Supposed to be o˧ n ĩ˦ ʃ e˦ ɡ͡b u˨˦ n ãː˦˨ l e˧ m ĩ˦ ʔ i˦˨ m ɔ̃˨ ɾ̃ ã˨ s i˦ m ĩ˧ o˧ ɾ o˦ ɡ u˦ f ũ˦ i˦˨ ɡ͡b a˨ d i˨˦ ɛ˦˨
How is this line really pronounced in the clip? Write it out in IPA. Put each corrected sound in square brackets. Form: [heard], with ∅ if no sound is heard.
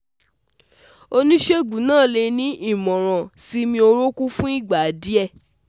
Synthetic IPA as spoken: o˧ n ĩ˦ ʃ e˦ ɡ͡b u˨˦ n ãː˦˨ l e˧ [n] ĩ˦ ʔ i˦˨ m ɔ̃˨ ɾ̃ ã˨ s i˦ m ĩ˧ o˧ ɾ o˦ [k] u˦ f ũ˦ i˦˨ ɡ͡b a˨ d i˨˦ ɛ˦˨